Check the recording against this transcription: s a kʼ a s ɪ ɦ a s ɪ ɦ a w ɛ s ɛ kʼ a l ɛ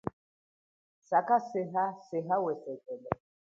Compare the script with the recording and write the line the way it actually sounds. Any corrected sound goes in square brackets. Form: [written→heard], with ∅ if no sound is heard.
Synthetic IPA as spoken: s a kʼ a s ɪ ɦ a s ɪ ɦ a w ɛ s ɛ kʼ [a→ɛ] l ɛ